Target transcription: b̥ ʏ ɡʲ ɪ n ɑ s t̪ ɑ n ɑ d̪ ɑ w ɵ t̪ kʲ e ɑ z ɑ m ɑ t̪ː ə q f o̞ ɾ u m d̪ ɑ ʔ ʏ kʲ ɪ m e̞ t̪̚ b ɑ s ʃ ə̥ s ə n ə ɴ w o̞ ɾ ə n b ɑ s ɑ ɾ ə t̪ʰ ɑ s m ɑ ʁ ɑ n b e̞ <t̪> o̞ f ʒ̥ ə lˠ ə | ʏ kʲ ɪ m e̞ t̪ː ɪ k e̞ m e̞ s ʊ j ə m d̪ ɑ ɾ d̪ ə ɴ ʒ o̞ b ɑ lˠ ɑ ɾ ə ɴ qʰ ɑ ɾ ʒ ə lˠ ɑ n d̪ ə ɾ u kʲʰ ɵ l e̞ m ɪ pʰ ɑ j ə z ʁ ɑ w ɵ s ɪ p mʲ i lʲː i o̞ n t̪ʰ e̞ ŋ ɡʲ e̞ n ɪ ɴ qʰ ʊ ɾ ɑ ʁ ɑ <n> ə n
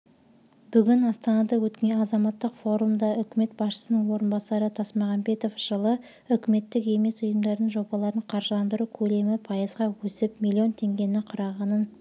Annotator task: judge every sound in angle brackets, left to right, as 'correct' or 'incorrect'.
correct, correct

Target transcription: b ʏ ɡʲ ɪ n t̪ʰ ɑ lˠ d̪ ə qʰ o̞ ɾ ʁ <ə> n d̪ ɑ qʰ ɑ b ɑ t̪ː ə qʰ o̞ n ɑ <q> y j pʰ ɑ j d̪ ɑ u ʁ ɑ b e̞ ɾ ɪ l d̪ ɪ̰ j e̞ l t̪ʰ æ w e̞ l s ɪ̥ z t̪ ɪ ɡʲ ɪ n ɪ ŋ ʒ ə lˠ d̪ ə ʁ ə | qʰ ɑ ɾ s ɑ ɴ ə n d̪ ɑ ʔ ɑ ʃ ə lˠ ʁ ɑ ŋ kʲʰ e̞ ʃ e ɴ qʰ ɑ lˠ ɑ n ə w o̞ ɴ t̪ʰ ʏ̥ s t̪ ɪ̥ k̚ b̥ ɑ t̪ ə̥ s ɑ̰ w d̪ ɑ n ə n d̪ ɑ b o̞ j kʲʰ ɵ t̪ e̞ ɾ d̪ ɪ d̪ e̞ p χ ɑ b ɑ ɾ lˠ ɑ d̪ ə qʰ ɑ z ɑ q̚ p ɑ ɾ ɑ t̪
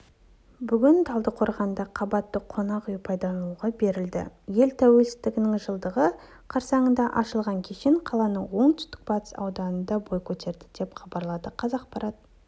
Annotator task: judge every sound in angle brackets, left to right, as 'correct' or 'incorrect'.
incorrect: ɑ, correct

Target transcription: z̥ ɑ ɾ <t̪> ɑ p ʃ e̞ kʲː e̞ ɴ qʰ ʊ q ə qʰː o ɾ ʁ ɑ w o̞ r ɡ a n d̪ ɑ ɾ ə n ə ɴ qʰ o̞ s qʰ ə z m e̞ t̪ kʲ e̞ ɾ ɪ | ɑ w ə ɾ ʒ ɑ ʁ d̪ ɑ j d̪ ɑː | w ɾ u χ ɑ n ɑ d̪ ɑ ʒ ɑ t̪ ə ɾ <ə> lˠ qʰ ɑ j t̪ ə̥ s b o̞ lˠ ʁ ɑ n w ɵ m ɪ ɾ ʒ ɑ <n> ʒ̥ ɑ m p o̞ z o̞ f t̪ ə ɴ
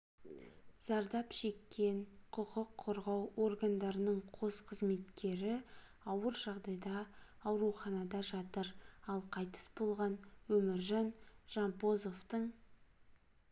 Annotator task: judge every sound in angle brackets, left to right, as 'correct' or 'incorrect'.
incorrect: d̪, incorrect: ɑ, correct

